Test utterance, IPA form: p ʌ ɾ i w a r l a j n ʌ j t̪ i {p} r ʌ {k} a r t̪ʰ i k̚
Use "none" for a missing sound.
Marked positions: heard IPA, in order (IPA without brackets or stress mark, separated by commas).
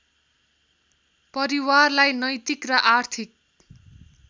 k, ʔ